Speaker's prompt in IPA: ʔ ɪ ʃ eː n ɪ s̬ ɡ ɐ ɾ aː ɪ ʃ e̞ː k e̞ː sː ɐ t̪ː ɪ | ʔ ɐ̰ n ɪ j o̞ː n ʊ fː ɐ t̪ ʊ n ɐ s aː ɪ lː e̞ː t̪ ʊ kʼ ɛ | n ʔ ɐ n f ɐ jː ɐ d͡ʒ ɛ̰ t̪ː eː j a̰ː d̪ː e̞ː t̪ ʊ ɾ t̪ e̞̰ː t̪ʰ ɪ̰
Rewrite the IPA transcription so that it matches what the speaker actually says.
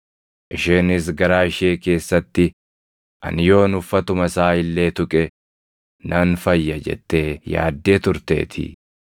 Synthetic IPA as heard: ʔ ɪ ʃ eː n ɪ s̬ ɡ ɐ ɾ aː ɪ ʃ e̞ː k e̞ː sː ɐ t̪ː ɪ | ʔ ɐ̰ n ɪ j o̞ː n ʊ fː ɐ t̪ ʊ m ɐ s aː ɪ lː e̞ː t̪ ʊ kʼ ɛ | n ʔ ɐ n f ɐ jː ɐ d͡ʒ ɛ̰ t̪ː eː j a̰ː d̪ː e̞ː t̪ ʊ ɾ t̪ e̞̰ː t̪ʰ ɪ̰